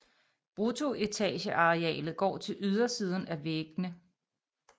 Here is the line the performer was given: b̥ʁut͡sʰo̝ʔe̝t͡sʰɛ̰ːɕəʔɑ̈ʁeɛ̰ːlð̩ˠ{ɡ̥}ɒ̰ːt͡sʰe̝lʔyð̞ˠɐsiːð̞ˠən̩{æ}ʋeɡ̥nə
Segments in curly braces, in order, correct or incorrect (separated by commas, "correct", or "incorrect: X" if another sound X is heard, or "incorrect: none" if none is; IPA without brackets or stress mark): correct, correct